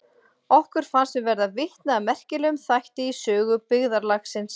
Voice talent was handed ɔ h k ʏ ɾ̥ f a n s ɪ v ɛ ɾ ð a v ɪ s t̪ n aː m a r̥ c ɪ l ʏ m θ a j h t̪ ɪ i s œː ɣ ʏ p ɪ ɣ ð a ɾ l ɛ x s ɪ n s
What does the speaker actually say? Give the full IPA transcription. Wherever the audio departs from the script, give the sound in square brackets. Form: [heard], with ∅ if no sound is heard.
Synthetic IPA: ɔ h k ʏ ɾ̥ f a n s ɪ v ɛ ɾ ð a v ɪ [h] t̪ n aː m [ɛ] r̥ c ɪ l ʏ m θ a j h t̪ ɪ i s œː ɣ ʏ p ɪ ɣ ð a ɾ l [a] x s ɪ n s